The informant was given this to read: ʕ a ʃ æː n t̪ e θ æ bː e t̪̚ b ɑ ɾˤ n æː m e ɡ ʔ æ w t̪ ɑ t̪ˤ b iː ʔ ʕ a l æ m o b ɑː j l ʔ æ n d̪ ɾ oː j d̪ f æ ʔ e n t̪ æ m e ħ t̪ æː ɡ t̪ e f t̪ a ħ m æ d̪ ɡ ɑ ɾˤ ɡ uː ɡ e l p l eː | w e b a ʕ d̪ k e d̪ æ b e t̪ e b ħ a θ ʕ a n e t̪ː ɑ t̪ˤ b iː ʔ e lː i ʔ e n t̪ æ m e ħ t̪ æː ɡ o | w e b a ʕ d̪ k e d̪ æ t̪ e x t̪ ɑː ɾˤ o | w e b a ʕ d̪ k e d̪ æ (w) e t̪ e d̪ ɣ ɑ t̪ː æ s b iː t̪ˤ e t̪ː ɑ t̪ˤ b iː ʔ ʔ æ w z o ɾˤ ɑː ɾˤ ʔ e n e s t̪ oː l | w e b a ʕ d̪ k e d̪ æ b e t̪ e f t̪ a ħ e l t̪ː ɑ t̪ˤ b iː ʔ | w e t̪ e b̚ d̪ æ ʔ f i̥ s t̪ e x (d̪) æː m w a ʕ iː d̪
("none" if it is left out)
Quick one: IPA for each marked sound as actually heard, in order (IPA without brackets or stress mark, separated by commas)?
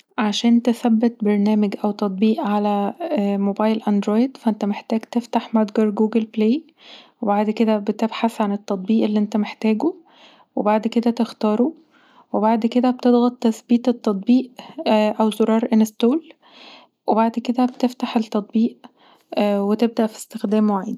b, d̪